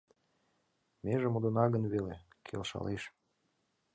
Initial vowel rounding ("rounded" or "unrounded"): unrounded